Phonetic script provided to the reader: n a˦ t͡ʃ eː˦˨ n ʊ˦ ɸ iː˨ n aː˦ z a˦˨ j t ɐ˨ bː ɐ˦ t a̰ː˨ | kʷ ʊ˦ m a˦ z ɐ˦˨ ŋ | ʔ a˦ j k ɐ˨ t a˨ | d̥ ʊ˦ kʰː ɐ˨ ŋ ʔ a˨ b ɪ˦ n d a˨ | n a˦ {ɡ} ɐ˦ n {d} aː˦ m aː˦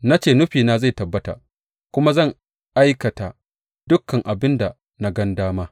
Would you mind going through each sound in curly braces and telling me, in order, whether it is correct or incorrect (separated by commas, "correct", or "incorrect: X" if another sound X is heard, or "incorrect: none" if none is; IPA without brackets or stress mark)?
correct, correct